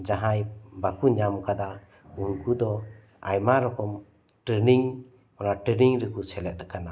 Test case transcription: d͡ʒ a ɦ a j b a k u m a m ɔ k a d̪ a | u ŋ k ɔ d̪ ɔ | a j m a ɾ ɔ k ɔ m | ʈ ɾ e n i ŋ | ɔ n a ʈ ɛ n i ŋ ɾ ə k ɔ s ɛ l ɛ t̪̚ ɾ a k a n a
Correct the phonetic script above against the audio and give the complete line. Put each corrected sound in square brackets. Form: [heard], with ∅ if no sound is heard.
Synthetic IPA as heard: d͡ʒ a ɦ a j b a k u [ɲ] a m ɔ k a d̪ a | u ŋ k [u] d̪ ɔ | a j m a ɾ ɔ k ɔ m | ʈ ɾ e n i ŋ | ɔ n a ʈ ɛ n i ŋ ɾ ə k [u] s ɛ l ɛ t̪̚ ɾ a k a n a

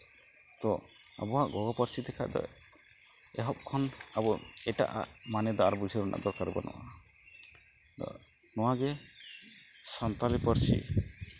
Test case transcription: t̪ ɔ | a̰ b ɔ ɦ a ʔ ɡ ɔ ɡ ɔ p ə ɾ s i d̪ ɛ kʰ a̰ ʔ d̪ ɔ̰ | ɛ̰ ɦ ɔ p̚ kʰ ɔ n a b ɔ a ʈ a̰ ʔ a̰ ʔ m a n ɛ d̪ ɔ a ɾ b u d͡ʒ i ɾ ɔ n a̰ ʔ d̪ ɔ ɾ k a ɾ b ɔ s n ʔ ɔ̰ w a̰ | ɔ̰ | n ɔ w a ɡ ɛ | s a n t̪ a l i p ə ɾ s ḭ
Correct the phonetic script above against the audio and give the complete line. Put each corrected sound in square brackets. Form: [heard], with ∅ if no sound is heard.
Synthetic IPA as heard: t̪ ɔ | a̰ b ɔ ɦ a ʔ ɡ ɔ ɡ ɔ p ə ɾ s i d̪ ɛ kʰ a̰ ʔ d̪ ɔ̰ | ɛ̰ ɦ ɔ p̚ kʰ ɔ n a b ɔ [ɛ] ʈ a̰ ʔ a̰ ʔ m a n ɛ d̪ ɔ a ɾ b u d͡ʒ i ɾ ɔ n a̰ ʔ d̪ ɔ ɾ k a ɾ b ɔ [∅] n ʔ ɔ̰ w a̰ | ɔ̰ | n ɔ w a ɡ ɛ | s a n t̪ a l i p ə ɾ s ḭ

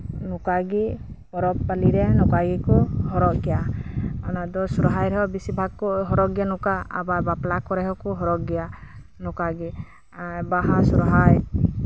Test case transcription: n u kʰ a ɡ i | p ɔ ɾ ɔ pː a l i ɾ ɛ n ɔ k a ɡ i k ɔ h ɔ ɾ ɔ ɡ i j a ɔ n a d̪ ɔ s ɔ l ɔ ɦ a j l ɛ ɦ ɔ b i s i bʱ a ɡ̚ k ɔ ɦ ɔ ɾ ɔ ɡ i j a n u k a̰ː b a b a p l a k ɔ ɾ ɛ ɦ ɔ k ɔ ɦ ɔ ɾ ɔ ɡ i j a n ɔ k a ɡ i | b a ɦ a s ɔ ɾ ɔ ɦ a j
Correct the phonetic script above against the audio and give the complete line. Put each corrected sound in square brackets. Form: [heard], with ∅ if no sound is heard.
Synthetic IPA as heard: n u [k] a ɡ i | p ɔ ɾ ɔ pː a l i ɾ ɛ n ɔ k a ɡ i k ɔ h ɔ ɾ ɔ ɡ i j a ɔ n a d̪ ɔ s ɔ [ɾ] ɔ ɦ a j [ɾ] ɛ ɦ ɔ b i s i bʱ a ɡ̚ k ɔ ɦ ɔ ɾ ɔ ɡ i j a n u k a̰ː b a b a p l a k ɔ ɾ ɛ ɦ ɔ k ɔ ɦ ɔ ɾ ɔ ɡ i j a n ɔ k a ɡ i | b a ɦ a s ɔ ɾ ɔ ɦ a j

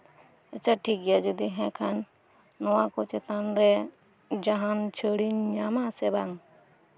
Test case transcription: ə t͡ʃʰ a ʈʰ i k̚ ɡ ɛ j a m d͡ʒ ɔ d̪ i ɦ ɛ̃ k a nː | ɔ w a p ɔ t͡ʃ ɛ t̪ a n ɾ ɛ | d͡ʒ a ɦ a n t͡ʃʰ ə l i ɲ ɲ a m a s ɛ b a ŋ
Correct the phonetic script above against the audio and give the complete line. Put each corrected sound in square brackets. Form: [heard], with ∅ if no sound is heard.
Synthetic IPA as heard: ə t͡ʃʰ a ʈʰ i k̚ ɡ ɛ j a [∅] d͡ʒ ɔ d̪ i ɦ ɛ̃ [kʰ] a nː | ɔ w a [k] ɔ t͡ʃ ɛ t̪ a n ɾ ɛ | d͡ʒ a ɦ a n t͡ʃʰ ə [ɽ] i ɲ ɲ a m a s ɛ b a ŋ

